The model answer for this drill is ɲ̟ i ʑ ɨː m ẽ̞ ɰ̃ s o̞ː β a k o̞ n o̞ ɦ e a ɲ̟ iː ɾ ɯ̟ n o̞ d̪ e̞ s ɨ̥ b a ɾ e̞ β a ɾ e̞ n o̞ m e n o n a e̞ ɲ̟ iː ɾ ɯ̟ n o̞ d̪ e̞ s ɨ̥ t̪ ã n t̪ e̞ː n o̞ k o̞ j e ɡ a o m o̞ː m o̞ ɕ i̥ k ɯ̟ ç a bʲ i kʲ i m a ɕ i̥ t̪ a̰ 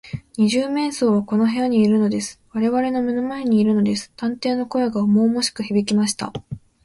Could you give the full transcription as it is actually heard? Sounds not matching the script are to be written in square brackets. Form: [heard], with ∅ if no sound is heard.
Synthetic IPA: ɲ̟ i ʑ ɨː m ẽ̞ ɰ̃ s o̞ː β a k o̞ n o̞ ɦ e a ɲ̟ iː ɾ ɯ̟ n o̞ d̪ e̞ s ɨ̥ [β] a ɾ e̞ β a ɾ e̞ n o̞ m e n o [m] a e̞ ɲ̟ iː ɾ ɯ̟ n o̞ d̪ e̞ s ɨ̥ t̪ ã n t̪ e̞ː n o̞ k o̞ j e ɡ a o m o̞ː m o̞ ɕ i̥ k ɯ̟ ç [i] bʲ i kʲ i m a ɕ i̥ t̪ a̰